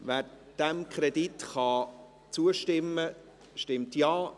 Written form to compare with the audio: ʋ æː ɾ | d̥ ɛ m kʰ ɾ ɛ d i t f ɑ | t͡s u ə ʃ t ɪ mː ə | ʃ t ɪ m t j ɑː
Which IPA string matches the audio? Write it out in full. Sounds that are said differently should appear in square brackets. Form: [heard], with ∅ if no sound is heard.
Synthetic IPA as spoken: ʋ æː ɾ | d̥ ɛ m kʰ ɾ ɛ d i t [χ] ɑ | t͡s u ə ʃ t ɪ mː ə | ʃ t ɪ m t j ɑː